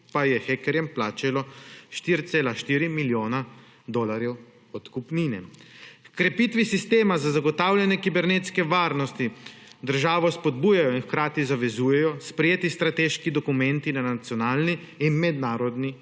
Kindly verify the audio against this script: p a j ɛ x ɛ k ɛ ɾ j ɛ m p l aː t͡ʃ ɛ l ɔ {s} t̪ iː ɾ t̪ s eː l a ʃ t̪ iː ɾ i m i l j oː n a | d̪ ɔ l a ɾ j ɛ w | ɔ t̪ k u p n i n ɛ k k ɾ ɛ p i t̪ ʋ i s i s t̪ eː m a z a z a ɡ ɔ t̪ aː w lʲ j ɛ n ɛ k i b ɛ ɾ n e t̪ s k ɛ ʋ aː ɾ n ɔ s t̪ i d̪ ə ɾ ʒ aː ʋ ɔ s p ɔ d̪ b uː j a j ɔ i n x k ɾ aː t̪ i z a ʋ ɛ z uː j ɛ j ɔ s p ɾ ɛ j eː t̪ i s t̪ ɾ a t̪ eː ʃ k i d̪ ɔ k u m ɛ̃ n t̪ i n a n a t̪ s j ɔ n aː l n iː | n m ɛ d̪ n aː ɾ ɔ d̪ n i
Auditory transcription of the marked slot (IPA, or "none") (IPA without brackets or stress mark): ʃ